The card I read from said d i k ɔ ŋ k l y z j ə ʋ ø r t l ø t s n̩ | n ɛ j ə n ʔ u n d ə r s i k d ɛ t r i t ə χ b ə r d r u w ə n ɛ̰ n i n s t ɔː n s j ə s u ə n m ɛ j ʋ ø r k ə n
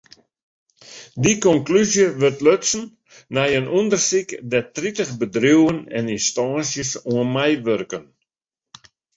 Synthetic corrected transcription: d i k ɔ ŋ k l y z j ə ʋ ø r t l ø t s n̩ | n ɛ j ə n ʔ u n d ə r s i k d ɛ t r i t ə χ b ə d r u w ə n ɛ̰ n i n s t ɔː n s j ə s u ə n m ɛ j ʋ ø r k ə n